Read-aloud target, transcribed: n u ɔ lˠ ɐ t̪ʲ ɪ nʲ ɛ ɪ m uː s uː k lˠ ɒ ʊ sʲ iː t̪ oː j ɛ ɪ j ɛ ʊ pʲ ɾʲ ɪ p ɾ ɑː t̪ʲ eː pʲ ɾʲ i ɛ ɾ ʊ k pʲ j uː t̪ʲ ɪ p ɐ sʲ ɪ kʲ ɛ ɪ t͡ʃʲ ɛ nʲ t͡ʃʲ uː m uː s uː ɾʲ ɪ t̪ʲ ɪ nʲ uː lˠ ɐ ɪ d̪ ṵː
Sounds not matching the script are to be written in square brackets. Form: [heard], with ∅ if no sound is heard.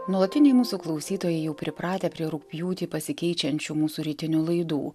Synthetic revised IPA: n u ɔ lˠ ɐ t̪ʲ ɪ nʲ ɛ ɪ m uː s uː k lˠ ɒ ʊ sʲ iː t̪ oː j ɛ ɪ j ɛ ʊ pʲ ɾʲ ɪ p ɾ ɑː t̪ʲ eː pʲ ɾʲ i ɛ ɾ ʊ k pʲ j uː t̪ʲ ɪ p ɐ sʲ ɪ kʲ ɛ ɪ t͡ʃʲ ɛ nʲ t͡ʃʲ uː m uː s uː ɾʲ ɪ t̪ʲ ɪ nʲ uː lˠ ɐ ɪ d̪ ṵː

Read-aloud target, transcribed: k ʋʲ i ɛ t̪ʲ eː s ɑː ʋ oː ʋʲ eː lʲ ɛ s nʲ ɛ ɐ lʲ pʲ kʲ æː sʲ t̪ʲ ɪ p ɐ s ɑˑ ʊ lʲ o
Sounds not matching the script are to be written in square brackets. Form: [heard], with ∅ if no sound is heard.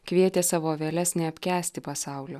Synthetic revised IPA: k ʋʲ i ɛ t̪ʲ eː s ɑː ʋ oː ʋʲ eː lʲ ɛ s nʲ ɛ ɐ [∅] pʲ kʲ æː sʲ t̪ʲ ɪ p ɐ s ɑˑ ʊ lʲ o

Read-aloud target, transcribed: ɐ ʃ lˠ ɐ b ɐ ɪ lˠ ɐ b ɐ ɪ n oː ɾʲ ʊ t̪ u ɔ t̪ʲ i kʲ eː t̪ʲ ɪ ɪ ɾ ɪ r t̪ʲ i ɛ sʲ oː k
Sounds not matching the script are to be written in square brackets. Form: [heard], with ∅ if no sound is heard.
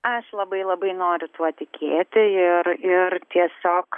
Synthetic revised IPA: ɐ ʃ lˠ ɐ b ɐ ɪ lˠ ɐ b ɐ ɪ n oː ɾʲ ʊ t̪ u ɔ t̪ʲ [ɪ] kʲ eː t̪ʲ ɪ ɪ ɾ ɪ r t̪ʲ i ɛ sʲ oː k

